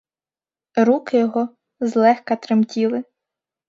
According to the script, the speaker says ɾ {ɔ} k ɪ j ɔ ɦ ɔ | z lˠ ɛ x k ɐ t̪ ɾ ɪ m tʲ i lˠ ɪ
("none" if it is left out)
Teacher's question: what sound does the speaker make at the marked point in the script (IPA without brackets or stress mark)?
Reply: u